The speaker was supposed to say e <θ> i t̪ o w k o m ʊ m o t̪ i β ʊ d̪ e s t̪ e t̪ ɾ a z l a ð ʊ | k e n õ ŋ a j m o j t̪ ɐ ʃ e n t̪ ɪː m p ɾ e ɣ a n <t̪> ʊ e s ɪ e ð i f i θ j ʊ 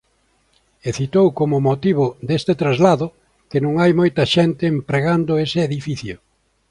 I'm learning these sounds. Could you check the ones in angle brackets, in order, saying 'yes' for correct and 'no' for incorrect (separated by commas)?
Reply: yes, no